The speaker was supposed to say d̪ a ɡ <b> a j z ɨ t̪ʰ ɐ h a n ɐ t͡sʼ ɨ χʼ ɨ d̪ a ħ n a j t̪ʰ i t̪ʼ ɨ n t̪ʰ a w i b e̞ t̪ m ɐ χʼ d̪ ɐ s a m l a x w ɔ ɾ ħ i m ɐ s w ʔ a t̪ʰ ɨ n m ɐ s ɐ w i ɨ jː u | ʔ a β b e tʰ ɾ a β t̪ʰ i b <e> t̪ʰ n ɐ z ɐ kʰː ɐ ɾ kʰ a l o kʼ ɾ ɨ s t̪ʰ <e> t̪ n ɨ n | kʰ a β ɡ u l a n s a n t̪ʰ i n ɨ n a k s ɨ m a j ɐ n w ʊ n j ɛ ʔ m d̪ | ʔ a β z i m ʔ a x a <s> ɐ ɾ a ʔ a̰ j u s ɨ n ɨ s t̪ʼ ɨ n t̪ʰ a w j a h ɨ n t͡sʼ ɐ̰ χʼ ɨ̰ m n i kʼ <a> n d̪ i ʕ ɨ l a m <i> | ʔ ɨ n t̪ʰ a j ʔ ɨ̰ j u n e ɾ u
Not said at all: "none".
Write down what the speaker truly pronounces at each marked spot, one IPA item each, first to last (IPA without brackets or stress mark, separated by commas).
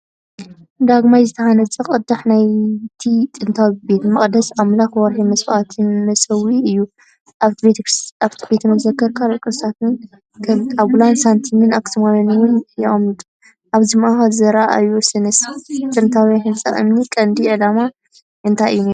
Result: m, e, a, z, ɐ, a